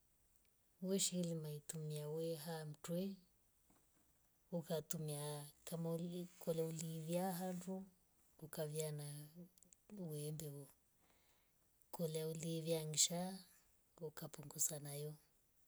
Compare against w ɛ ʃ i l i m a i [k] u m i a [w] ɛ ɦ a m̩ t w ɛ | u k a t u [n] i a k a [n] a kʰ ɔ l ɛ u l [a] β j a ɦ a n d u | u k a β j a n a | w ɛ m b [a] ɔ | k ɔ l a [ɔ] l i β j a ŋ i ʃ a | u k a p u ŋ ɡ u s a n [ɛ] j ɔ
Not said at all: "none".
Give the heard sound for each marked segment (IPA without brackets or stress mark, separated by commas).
t, w, m, m, i, ɛ, u, a